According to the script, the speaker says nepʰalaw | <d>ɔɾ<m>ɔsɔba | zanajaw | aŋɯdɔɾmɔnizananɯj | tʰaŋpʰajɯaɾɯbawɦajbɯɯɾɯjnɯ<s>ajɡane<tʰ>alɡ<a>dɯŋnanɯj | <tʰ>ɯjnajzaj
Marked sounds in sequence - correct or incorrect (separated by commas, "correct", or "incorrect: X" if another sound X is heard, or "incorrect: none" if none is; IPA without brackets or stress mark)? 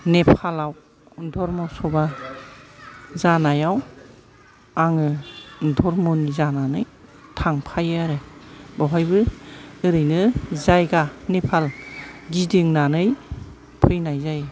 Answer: correct, correct, incorrect: z, incorrect: pʰ, incorrect: i, incorrect: pʰ